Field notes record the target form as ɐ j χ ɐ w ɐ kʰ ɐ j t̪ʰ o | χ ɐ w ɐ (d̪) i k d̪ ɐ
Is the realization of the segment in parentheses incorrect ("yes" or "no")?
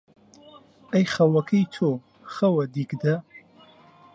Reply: no